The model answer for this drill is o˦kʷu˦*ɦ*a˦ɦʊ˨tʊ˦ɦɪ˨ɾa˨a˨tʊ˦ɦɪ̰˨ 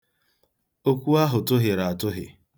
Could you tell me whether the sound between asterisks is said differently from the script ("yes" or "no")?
yes